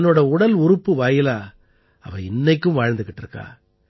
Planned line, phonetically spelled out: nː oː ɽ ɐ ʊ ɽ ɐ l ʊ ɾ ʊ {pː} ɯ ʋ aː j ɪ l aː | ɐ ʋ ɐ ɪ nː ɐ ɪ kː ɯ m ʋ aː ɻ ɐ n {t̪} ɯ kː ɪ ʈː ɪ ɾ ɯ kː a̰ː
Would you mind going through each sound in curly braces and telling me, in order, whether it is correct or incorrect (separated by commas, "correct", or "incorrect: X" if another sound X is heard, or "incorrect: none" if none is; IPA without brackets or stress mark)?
correct, incorrect: d̪